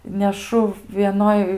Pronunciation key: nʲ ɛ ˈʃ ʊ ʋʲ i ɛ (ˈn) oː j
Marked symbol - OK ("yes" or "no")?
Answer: yes